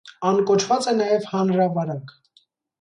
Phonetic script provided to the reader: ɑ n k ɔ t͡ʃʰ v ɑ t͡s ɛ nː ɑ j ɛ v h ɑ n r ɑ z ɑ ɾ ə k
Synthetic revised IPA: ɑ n k ɔ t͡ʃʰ v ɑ t͡s ɛ n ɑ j ɛ v h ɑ n ɾ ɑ v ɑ ɾ ɑ k